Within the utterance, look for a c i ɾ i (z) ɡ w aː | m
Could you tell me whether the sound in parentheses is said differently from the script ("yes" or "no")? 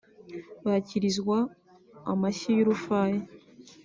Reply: no